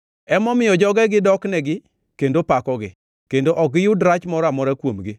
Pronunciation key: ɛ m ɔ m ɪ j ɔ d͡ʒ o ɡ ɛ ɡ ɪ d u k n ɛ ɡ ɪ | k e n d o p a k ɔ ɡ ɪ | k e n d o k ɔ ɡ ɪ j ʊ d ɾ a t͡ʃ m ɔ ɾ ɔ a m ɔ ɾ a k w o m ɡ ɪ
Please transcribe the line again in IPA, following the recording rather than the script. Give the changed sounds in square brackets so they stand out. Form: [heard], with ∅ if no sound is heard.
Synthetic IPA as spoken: ɛ m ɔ m ɪ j ɔ d͡ʒ [ɔ] ɡ ɛ ɡ ɪ d [ɔ] k n ɛ ɡ ɪ | k e n d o p a k ɔ ɡ ɪ | k e n d o [ʔ] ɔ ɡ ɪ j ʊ d ɾ a t͡ʃ m ɔ ɾ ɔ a m ɔ ɾ a k w o m ɡ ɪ